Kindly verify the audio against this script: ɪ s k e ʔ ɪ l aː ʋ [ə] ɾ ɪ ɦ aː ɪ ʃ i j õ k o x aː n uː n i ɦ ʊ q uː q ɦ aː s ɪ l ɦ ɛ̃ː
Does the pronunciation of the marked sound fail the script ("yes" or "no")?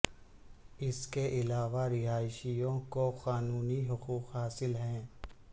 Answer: yes